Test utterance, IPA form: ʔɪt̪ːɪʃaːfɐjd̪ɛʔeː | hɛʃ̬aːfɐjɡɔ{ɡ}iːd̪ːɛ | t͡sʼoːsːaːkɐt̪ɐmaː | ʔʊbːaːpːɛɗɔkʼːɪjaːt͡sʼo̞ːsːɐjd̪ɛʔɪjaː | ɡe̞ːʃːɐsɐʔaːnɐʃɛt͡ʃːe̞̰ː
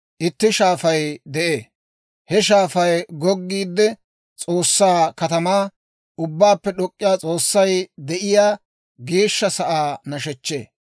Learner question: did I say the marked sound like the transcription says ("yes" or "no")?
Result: no